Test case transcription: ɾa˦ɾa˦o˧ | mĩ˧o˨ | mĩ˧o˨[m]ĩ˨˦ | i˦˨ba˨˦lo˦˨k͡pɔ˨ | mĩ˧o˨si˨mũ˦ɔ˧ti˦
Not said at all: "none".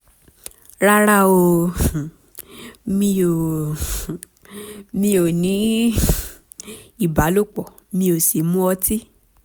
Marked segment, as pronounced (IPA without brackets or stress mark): n